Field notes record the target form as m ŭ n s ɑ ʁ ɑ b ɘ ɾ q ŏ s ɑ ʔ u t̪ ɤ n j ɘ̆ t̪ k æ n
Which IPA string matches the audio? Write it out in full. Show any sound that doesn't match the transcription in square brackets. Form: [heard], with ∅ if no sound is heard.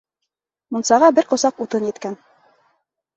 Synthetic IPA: m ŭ n s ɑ ʁ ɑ b ɘ ɾ q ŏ s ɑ [q] u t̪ ɤ n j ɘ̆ t̪ k æ n

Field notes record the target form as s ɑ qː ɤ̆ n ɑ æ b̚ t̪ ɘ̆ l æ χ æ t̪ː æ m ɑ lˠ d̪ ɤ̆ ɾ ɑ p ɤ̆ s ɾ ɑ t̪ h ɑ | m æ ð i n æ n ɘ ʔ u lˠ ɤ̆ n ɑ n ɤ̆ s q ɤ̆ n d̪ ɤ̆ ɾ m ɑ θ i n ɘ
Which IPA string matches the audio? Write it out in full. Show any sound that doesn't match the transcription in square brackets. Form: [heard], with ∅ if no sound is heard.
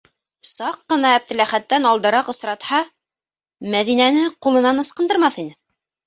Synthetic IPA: s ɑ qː ɤ̆ n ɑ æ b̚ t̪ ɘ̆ l æ χ æ t̪ː æ [n] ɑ lˠ d̪ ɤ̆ ɾ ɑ [q] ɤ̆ s ɾ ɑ t̪ h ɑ | m æ ð i n æ n ɘ [q] u lˠ ɤ̆ n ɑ n ɤ̆ s q ɤ̆ n d̪ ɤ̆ ɾ m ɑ θ i n ɘ

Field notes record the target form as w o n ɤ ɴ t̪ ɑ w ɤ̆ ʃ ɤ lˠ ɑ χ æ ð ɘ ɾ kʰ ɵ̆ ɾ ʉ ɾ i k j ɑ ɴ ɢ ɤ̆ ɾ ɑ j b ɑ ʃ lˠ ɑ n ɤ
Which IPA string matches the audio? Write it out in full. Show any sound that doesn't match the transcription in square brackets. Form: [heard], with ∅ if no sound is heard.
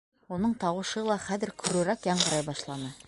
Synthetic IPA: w o n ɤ ɴ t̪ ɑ w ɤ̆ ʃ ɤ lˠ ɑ χ æ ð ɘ ɾ kʰ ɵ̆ ɾ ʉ ɾ [æ] k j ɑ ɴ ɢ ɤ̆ ɾ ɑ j b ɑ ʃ lˠ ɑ n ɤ

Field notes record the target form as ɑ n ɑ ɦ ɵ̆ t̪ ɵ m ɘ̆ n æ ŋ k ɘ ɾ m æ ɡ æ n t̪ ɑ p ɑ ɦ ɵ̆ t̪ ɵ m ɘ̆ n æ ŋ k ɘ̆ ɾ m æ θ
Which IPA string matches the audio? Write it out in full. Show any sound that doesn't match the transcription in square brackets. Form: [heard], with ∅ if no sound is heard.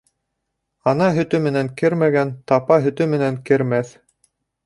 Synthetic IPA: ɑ n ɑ ɦ ɵ̆ t̪ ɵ m ɘ̆ n æ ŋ k ɘ ɾ m æ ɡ æ n t̪ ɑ p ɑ ɦ ɵ̆ t̪ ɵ m ɘ̆ n æ ŋ k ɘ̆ ɾ m æ θ

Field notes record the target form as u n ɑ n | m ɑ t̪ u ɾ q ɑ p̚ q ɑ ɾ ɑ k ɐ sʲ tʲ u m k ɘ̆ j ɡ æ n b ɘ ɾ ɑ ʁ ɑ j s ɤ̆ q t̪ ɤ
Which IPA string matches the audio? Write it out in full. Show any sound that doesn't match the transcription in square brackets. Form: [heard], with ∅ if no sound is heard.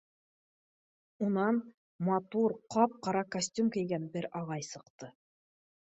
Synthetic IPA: u n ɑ n | m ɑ t̪ u ɾ q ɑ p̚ q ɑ ɾ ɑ k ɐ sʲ tʲ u m k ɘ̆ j ɡ æ n b ɘ ɾ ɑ ʁ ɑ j s ɤ̆ q t̪ ɤ

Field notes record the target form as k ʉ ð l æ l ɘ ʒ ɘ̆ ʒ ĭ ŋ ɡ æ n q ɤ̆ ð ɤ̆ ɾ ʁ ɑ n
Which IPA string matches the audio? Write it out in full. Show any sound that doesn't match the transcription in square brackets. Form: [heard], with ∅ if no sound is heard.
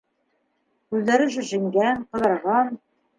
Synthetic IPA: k ʉ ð l æ [ɾ] ɘ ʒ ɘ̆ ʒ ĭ ŋ ɡ æ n q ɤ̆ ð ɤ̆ ɾ ʁ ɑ n

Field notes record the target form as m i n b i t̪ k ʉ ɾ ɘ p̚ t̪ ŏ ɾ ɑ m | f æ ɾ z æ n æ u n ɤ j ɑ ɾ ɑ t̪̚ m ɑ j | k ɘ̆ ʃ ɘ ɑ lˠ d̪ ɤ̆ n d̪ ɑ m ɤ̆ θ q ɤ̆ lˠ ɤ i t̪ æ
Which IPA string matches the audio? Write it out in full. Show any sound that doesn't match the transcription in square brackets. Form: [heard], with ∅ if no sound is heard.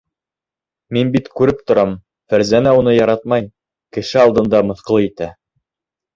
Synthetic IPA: m i n b i t̪ k ʉ ɾ ɘ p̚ t̪ ŏ ɾ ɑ m | f æ ɾ z æ n æ u n ɤ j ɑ ɾ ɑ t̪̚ m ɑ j | k ɘ̆ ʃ ɘ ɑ lˠ d̪ ɤ̆ n d̪ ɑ m ɤ̆ θ q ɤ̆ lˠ ɤ i t̪ æ

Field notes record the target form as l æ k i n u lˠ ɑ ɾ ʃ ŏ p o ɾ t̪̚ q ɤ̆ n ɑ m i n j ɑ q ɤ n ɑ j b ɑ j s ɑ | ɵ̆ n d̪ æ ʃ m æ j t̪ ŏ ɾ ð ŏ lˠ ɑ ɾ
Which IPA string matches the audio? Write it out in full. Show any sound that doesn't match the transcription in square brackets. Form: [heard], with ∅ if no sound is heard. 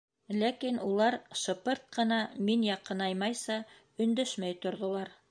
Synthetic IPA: l æ k i n u lˠ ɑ ɾ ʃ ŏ p [ɤ] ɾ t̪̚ q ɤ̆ n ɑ m i n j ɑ q ɤ n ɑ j [m] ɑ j s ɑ | ɵ̆ n d̪ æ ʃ m æ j t̪ ŏ ɾ ð ŏ lˠ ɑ ɾ

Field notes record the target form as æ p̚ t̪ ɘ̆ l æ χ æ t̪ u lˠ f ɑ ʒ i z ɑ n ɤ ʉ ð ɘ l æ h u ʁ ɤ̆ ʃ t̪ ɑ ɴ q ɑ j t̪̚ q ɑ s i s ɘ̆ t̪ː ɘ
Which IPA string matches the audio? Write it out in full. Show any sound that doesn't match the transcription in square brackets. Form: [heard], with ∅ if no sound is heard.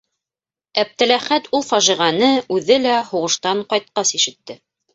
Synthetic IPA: æ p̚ t̪ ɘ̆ l æ χ æ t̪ u lˠ f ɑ ʒ i [ʁ] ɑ n ɤ ʉ ð ɘ l æ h u ʁ ɤ̆ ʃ t̪ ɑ ɴ q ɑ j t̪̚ q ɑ s i [ʃ] ɘ̆ t̪ː ɘ

